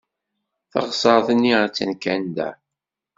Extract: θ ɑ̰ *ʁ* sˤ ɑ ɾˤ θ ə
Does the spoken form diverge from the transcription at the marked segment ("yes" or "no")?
no